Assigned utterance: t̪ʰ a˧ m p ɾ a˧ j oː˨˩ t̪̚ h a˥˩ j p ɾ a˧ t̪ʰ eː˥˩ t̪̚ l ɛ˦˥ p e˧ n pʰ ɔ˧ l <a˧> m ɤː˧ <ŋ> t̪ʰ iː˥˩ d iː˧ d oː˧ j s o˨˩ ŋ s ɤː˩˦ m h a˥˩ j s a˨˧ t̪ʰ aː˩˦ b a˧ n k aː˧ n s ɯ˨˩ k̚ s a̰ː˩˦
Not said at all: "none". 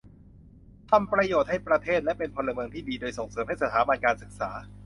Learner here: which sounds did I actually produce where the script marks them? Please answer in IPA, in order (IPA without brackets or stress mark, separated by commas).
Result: a˧, ŋ